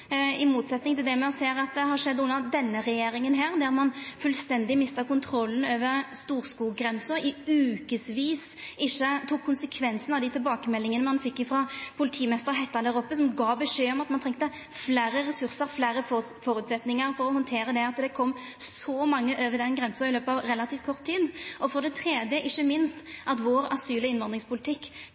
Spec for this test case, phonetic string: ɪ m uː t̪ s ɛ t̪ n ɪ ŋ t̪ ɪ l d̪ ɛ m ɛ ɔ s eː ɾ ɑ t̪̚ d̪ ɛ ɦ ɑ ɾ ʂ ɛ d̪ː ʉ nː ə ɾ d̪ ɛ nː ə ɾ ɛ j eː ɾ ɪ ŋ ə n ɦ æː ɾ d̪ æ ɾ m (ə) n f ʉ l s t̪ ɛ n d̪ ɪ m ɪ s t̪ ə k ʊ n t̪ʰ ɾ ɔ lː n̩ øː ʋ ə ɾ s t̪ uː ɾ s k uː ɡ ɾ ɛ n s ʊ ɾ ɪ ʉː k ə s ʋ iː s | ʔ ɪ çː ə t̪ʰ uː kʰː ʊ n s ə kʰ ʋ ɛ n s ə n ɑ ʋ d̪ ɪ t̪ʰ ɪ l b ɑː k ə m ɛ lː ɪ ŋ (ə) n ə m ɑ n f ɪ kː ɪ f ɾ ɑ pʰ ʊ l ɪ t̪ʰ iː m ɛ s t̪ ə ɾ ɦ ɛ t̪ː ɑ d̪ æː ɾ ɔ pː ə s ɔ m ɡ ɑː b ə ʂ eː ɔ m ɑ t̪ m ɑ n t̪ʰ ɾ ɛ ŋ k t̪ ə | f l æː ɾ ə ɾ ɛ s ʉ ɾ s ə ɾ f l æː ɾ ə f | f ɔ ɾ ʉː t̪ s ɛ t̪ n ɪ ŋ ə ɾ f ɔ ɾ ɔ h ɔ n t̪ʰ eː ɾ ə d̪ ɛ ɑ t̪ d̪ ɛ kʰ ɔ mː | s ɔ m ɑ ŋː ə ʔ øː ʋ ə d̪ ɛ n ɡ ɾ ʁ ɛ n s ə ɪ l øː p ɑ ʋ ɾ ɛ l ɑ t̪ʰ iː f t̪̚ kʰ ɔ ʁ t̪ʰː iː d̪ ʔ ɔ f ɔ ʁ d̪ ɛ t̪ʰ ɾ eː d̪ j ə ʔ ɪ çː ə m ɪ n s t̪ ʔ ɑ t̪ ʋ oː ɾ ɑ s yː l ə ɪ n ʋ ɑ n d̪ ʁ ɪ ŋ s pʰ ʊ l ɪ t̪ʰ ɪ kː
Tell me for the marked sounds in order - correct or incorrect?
incorrect: ɑ, correct

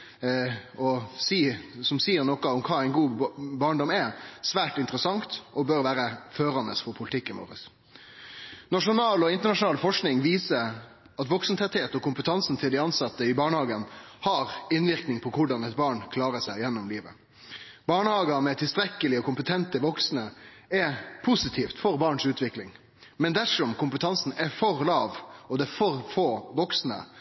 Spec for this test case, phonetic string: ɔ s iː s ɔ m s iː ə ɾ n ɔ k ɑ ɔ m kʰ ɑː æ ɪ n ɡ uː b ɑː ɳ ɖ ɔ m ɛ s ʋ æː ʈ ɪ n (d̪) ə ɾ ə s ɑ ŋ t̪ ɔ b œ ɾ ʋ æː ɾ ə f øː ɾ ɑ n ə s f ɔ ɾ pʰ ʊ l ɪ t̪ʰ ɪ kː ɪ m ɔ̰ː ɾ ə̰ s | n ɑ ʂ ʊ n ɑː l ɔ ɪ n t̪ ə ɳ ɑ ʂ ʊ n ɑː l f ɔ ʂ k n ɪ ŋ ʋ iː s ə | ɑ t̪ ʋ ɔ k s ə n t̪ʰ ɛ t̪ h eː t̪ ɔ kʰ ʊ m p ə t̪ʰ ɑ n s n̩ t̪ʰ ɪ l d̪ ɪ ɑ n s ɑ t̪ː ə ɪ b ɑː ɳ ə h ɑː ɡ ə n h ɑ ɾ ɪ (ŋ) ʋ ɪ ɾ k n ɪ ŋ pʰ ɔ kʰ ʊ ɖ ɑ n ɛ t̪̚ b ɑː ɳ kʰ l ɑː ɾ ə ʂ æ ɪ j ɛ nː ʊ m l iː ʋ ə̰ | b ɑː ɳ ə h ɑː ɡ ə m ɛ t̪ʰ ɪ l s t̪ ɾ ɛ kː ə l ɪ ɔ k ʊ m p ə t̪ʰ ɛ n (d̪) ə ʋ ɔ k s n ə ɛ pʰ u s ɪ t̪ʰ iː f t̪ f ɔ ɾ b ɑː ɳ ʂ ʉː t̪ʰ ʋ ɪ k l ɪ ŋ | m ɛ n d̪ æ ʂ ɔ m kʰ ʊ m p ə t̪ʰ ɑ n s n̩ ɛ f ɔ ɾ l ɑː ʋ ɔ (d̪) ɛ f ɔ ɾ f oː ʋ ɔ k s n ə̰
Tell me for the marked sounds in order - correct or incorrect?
incorrect: t̪, incorrect: n, incorrect: t̪, correct

